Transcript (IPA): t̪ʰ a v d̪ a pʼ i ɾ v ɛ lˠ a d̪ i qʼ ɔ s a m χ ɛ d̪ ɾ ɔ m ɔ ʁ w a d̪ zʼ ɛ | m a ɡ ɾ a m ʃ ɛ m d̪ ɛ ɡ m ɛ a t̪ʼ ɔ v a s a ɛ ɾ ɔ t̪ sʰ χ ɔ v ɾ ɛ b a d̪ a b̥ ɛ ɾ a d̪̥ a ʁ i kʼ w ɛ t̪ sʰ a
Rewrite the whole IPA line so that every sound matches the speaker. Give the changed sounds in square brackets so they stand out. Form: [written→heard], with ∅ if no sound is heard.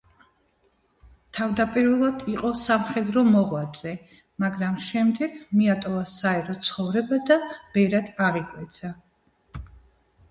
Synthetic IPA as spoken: t̪ʰ a v d̪ a pʼ i ɾ v ɛ lˠ a d̪ i qʼ ɔ s a m χ ɛ d̪ ɾ ɔ m ɔ ʁ w a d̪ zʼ ɛ | m a ɡ ɾ a m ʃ ɛ m d̪ ɛ ɡ m [ɛ→i] a t̪ʼ ɔ v a s a ɛ ɾ ɔ t̪ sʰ χ ɔ v ɾ ɛ b a d̪ a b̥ ɛ ɾ a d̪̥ a ʁ i kʼ w ɛ t̪ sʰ a